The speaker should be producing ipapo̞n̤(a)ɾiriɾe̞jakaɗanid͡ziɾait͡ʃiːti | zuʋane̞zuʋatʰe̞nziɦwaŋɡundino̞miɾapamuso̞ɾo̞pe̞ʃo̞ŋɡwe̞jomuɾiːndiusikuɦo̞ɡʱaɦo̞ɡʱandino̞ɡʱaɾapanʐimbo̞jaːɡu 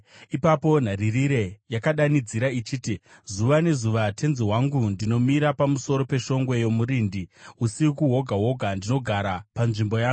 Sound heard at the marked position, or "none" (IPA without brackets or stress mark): a